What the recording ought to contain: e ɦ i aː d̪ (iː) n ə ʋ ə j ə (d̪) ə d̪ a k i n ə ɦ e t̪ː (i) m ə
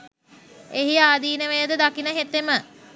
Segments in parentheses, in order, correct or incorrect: correct, correct, incorrect: e

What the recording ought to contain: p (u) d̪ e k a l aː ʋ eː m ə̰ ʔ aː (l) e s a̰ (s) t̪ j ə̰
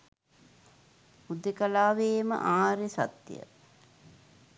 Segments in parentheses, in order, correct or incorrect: correct, incorrect: ɾ, incorrect: none

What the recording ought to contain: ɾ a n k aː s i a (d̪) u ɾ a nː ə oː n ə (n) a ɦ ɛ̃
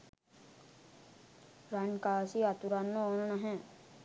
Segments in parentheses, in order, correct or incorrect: incorrect: t̪, correct

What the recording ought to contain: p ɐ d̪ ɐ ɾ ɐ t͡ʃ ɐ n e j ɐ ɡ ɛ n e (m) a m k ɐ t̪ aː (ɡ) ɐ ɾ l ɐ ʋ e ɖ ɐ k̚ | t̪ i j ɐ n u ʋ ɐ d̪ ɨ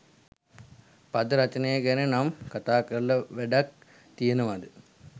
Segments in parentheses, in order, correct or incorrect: incorrect: n, incorrect: k

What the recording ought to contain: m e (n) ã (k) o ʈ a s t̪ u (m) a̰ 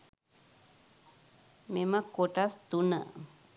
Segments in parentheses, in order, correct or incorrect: incorrect: m, correct, incorrect: n

